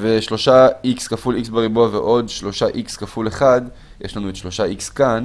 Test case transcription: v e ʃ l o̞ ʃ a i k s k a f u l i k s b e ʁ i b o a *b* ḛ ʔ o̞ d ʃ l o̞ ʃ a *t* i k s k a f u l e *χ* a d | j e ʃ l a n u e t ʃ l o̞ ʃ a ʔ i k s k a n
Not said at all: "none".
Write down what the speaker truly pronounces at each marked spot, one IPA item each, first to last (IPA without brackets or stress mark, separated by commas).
v, ʔ, χ